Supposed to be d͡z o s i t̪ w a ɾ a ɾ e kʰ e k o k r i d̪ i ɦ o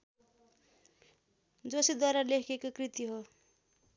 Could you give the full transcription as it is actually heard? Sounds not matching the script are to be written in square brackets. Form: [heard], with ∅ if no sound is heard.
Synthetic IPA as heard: d͡z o s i [d̪] w a ɾ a [l] e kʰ e k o k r i [t̪] i ɦ o

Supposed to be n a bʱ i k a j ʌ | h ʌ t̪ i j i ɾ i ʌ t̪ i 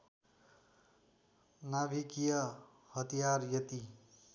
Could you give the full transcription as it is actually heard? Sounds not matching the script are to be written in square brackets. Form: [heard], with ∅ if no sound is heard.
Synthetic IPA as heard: n a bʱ i k [i] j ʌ | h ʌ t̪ i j [a] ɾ [j] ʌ t̪ i

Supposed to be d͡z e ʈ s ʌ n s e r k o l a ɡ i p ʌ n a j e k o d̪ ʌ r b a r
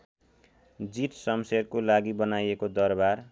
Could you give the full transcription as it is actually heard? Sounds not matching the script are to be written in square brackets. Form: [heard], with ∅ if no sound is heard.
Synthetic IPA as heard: d͡z [i] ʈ s ʌ [m] s e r k o l a ɡ i [b] ʌ n a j e k o d̪ ʌ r b a r

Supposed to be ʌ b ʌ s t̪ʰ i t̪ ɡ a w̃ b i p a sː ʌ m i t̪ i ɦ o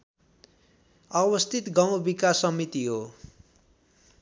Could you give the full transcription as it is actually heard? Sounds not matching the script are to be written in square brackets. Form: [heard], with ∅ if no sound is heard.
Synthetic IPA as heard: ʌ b ʌ s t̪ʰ i t̪ ɡ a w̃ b i [k] a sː ʌ m i t̪ i ɦ o

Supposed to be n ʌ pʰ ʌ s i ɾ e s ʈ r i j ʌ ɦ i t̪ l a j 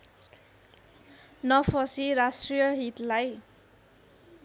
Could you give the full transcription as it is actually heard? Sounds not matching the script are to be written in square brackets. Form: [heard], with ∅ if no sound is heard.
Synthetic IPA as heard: n ʌ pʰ ʌ s i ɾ [a] s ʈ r i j ʌ ɦ i t̪ l a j

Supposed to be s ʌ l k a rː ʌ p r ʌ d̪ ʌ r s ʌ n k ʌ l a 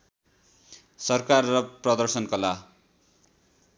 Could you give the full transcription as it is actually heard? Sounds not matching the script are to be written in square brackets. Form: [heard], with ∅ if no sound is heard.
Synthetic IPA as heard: s ʌ [r] k a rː ʌ p r ʌ d̪ ʌ r s ʌ n k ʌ l a

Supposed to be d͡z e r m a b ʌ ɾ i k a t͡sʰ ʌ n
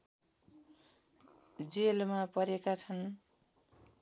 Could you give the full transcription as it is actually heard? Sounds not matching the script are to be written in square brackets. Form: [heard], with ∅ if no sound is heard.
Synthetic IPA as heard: d͡z e [l] m a [p] ʌ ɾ [e] k a t͡sʰ ʌ n

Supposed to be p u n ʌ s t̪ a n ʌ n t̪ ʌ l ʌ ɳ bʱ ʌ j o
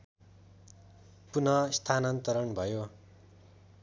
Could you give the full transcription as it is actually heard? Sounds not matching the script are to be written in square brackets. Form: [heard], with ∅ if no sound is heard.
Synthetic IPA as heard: p u n ʌ s [t̪ʰ] a n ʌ n t̪ ʌ [ɾ] ʌ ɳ bʱ ʌ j o

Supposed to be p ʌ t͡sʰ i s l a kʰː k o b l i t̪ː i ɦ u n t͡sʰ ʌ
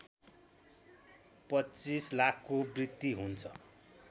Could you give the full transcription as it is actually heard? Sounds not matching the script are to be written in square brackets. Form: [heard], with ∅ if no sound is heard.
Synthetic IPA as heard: p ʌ [t͡s] i s l a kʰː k o b [r] i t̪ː i ɦ u n t͡sʰ ʌ

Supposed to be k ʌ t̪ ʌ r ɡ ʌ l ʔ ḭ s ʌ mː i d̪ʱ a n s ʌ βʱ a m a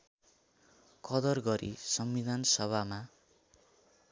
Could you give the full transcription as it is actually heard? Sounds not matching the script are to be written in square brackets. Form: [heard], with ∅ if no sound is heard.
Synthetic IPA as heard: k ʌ [d̪] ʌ r ɡ ʌ [ɾ] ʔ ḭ s ʌ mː i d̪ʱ a n s ʌ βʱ a m a

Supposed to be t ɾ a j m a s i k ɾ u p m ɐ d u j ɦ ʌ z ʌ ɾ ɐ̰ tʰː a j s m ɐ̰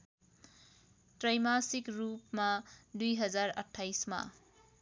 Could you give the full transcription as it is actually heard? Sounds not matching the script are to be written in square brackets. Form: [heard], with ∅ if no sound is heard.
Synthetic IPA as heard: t ɾ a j m a s i k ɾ u p m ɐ d u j ɦ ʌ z [a] ɾ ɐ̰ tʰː a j s m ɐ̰

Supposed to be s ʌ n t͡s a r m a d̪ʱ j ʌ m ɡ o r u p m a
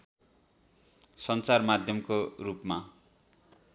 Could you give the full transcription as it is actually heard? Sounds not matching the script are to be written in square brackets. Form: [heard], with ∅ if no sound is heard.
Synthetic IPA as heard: s ʌ n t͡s a r m a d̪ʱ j ʌ m [k] o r u p m a

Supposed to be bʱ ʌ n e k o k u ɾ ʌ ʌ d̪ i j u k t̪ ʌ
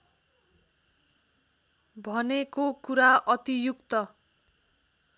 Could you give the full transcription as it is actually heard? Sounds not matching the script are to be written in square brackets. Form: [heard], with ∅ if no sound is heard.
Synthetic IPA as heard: bʱ ʌ n e k o k u ɾ [a] ʌ [t̪] i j u k t̪ ʌ

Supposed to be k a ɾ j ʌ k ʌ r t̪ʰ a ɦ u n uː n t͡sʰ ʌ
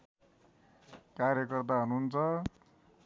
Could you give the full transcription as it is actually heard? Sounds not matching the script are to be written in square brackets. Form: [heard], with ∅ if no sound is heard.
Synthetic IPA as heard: k a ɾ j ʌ k ʌ r [t̪] a ɦ u n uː n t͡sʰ ʌ

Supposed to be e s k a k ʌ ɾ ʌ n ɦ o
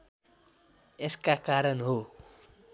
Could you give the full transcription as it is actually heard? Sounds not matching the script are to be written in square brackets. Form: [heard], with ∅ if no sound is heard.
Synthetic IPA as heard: e s k a k [a] ɾ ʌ n ɦ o

